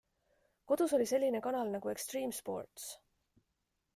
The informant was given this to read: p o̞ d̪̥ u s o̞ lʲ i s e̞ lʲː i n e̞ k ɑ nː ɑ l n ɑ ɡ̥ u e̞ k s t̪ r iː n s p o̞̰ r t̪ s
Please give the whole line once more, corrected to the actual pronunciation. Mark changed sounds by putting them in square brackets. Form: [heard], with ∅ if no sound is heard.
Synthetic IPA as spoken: [k] o̞ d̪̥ u s o̞ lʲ i s e̞ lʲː i n e̞ k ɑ [n] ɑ l n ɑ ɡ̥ u e̞ k s t̪ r iː [m] s p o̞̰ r t̪ s

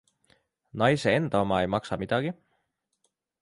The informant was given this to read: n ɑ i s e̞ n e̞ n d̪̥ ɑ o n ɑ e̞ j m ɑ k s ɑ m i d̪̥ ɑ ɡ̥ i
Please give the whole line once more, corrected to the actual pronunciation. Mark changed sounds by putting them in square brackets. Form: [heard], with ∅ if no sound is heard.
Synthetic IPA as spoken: n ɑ [j] s e̞ [∅] e̞ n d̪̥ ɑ o [m] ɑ e̞ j m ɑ k s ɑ m i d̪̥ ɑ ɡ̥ i

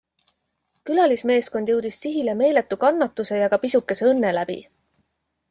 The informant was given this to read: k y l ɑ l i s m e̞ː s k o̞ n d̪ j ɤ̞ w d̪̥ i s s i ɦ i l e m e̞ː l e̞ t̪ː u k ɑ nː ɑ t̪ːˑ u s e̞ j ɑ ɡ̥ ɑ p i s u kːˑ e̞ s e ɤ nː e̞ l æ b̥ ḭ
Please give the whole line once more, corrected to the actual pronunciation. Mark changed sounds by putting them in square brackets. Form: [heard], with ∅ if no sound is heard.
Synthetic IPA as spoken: k y l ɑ l i s m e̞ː s k o̞ n d̪ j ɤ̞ w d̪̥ i s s i ɦ i l e m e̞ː l e̞ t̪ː u k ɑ nː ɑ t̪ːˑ u s e̞ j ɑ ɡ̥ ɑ p i s u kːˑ e̞ s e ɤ nː e̞ l æ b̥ ḭ

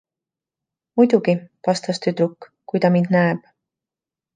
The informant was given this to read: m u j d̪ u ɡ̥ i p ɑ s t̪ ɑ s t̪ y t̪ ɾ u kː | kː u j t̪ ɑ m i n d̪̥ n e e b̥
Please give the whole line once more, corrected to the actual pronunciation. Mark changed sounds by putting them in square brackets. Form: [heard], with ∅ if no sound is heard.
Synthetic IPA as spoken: m u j d̪ u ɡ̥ i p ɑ s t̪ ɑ s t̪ y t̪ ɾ u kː | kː u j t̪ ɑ m i n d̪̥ n [æ] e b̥

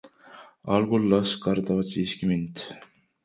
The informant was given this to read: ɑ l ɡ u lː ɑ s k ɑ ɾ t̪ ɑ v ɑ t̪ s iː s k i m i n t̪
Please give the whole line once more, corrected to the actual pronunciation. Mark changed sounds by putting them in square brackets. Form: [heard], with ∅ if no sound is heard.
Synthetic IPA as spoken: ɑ l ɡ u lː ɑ s k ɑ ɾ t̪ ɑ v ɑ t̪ s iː s k i m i n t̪

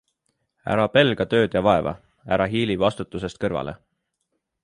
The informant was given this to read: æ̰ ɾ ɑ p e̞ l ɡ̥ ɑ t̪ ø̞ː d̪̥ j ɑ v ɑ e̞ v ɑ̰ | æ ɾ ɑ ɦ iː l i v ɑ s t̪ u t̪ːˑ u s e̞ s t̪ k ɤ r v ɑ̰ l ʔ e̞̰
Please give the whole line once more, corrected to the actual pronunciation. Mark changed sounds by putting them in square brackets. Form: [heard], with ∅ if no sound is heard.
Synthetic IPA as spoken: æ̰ ɾ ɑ p e̞ l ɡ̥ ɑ t̪ ø̞ː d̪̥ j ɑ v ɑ e̞ v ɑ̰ | æ ɾ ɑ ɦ iː l i v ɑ s t̪ u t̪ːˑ u s e̞ s t̪ k ɤ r v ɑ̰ l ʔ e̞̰

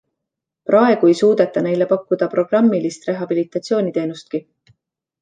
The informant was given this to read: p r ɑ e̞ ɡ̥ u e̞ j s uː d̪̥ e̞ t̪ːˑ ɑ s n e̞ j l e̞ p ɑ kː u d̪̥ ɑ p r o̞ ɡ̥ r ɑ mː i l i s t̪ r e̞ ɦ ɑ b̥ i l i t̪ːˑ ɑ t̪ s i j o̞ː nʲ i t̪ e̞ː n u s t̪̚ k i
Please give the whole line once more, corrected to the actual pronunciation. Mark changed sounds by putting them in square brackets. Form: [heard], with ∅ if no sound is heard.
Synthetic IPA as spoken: p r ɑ e̞ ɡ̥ u e̞ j s uː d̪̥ e̞ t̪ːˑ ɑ [∅] n e̞ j l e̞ p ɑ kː u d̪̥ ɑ p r o̞ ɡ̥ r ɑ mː i l i s t̪ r e̞ ɦ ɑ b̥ i l i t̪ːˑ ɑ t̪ s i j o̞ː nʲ i t̪ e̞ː n u s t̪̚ k i

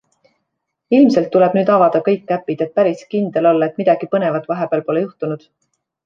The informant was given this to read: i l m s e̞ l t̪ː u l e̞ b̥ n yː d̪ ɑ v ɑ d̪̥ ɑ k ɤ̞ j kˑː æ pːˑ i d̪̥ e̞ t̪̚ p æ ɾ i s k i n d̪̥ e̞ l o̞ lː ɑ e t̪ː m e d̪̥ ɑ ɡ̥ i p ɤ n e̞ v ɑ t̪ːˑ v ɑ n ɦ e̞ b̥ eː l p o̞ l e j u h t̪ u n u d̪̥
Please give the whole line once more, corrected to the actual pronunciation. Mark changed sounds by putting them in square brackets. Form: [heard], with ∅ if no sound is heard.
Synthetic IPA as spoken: i l m s e̞ l t̪ː u l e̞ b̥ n yː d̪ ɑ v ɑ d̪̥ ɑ k ɤ̞ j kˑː æ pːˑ i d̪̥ e̞ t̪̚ p æ ɾ i s k i n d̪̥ e̞ l o̞ lː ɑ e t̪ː m [i] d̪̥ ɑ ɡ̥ i p ɤ n e̞ v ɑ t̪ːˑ v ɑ [∅] ɦ e̞ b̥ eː l p o̞ l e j u h t̪ u n u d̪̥

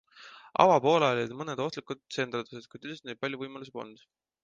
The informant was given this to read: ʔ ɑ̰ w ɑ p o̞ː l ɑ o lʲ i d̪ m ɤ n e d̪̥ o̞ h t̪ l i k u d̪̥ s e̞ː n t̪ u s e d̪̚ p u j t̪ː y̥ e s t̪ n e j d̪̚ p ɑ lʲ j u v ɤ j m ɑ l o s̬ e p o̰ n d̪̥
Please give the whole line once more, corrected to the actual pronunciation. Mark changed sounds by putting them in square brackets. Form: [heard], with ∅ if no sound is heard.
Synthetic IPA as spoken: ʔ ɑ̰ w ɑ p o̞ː l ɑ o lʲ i d̪ m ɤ n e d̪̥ o̞ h t̪ l i k u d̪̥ s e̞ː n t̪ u s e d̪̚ [k] u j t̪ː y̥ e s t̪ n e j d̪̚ p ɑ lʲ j u v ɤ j m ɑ l [u] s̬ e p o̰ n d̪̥

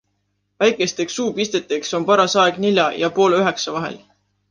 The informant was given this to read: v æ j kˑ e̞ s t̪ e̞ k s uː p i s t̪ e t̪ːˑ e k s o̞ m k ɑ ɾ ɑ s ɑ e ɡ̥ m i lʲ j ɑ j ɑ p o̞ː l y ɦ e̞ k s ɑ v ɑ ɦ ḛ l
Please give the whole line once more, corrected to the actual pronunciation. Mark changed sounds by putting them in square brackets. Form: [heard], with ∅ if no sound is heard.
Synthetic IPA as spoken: v æ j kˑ e̞ s t̪ e̞ k s uː p i s t̪ e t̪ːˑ e k s o̞ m [p] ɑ ɾ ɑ s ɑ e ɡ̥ [n] i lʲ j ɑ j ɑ p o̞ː l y ɦ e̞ k s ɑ v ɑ ɦ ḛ l

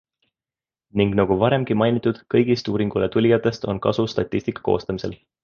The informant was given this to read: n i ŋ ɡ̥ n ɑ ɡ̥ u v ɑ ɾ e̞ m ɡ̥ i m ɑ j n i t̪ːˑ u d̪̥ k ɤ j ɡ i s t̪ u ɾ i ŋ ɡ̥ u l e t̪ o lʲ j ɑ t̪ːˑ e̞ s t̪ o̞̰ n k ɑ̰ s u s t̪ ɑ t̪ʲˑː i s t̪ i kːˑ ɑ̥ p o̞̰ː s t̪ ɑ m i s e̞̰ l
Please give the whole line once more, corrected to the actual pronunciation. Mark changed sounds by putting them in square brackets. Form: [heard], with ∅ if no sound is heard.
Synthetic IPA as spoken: n i ŋ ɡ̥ n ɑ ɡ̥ u v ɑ ɾ e̞ m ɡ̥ i m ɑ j n i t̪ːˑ u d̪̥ k ɤ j ɡ i s t̪ [uː] ɾ i ŋ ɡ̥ u l e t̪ [u] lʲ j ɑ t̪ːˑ e̞ s t̪ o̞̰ n k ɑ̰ s u s t̪ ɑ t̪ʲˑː i s t̪ i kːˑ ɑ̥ [k] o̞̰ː s t̪ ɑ m i s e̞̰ l

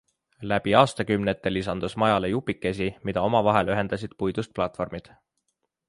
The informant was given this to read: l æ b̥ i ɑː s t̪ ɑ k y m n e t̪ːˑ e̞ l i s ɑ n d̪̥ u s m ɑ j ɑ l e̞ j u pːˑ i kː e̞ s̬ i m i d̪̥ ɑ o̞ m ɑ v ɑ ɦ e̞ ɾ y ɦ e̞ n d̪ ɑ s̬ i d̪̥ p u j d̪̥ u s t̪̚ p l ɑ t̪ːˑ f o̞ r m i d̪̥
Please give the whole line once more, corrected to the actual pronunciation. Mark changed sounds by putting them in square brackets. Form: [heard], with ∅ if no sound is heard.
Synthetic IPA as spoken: l æ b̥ i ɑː s t̪ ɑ k y m n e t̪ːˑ e̞ l i s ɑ n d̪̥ u s m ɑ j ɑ l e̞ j u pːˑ i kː e̞ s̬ i m i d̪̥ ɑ o̞ m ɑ v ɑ ɦ e̞ [l] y ɦ e̞ n d̪ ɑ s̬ i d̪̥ p u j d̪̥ u s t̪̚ p l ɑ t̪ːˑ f o̞ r m i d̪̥

